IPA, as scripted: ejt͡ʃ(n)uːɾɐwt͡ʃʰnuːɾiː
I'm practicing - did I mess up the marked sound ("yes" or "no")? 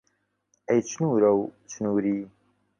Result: no